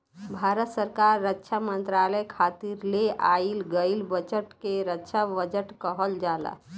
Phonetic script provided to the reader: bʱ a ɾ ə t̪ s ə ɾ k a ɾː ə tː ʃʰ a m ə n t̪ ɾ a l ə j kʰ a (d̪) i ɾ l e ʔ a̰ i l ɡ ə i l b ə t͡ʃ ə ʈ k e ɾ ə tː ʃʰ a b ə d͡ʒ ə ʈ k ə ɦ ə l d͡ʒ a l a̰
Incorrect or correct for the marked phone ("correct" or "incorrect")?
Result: incorrect